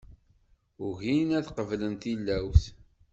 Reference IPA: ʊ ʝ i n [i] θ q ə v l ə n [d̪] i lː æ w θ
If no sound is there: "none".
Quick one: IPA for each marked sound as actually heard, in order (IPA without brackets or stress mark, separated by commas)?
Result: æ, t̪